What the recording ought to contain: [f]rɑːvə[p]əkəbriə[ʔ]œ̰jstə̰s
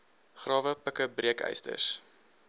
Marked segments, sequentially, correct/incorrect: incorrect, correct, incorrect

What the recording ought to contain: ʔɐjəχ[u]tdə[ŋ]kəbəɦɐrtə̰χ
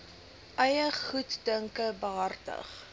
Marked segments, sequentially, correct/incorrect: correct, correct

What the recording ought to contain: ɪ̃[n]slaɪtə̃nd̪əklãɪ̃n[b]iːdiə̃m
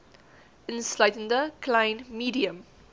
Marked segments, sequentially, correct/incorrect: correct, incorrect

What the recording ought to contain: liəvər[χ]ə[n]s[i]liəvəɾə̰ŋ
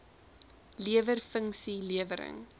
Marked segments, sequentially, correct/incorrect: incorrect, incorrect, correct

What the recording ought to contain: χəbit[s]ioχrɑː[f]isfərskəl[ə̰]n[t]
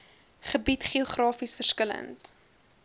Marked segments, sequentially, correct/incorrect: incorrect, correct, correct, correct

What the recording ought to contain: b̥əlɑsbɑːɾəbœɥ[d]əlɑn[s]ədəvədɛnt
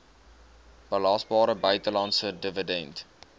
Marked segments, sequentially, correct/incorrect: incorrect, correct

